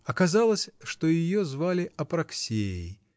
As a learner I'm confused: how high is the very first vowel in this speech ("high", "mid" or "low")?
low